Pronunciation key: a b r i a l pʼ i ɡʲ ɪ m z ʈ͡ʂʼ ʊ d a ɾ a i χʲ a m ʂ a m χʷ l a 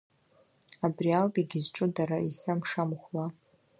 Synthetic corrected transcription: a b r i a l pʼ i ɡʲ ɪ z ʈ͡ʂʼ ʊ d a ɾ a i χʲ a m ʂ a m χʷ l a